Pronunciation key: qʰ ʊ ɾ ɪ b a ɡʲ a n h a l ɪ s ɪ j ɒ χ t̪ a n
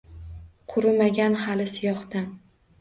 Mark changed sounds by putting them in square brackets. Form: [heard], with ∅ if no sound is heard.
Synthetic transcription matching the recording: qʰ ʊ ɾ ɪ [m] a ɡʲ a n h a l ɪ s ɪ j ɒ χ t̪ a n